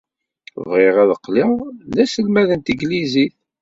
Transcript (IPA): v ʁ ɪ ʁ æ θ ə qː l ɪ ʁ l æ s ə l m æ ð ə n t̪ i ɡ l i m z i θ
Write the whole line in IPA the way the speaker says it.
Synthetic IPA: v ʁ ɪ ʁ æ ð ə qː l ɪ ʁ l æ s ə l m æ ð ə n t̪ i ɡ l i z i θ